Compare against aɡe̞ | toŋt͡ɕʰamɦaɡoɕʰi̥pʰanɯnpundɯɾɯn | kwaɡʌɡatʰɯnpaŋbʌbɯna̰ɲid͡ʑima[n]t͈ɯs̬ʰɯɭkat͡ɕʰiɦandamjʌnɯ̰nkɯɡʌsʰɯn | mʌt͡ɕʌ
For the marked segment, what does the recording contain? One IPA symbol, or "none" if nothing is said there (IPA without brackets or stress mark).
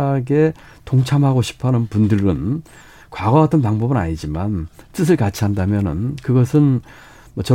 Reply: n